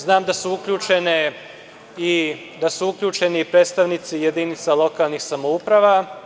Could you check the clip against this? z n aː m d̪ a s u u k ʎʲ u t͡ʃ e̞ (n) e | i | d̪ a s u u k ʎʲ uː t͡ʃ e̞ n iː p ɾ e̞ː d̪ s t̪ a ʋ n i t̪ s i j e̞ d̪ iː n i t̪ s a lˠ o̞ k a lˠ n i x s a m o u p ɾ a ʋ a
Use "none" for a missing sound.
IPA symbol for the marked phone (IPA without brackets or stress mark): n